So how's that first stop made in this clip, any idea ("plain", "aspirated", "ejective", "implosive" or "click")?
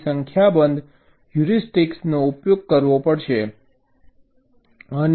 aspirated